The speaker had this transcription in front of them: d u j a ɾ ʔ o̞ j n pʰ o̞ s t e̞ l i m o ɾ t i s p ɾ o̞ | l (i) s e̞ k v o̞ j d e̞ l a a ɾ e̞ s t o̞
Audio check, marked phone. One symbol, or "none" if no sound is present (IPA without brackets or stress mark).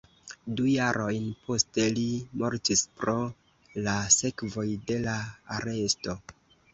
a